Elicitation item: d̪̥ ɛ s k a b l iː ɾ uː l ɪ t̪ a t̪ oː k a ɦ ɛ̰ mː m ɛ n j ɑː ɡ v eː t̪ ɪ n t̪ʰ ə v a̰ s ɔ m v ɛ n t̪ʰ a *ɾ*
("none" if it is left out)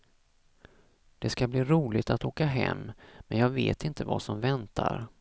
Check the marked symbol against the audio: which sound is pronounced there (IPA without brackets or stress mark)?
ɾ